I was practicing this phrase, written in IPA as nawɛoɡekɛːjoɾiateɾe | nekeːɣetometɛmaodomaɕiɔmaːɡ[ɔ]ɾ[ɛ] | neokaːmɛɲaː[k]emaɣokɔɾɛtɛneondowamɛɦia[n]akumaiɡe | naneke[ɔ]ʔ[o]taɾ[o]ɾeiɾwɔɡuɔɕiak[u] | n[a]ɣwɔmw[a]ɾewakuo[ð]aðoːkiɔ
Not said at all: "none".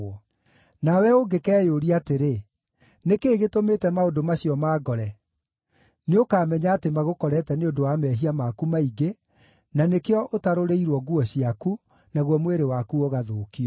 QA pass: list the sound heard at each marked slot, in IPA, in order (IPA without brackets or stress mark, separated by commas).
ɔ, ɛ, t, m, ɔ, o, o, u, a, e, ɣ